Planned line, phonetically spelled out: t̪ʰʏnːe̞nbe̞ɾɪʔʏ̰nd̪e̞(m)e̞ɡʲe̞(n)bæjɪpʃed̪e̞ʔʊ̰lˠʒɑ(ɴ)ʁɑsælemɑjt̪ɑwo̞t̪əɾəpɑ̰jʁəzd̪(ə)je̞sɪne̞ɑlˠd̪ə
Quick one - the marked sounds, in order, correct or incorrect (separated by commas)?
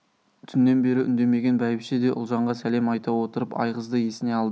correct, correct, correct, correct